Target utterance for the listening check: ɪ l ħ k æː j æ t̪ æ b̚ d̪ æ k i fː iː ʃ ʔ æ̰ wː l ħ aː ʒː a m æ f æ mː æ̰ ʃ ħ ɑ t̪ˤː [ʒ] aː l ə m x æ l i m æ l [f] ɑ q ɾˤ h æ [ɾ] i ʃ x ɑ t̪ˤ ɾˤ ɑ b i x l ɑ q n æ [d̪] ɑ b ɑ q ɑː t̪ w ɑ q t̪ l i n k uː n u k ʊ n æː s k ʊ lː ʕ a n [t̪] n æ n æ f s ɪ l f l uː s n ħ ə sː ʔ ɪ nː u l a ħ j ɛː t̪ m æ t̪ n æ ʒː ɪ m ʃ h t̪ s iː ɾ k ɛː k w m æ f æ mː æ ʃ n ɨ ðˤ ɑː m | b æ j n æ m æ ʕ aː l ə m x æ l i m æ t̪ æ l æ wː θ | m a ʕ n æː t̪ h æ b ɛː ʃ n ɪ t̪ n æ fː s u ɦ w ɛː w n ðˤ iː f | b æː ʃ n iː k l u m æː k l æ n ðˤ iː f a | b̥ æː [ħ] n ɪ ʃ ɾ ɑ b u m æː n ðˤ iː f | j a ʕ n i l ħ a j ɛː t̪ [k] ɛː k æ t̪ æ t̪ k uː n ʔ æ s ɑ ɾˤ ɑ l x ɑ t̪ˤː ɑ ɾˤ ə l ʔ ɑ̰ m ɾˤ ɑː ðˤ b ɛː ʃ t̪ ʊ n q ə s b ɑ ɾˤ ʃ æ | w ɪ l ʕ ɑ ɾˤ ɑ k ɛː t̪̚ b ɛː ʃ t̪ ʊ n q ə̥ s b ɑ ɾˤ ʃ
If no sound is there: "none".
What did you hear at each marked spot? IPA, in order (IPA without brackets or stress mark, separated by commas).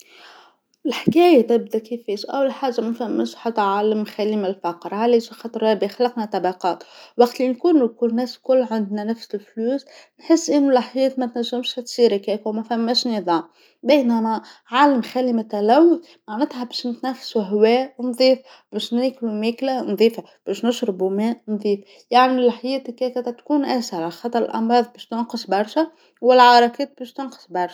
ʕ, f, l, t̪, d̪, ʃ, k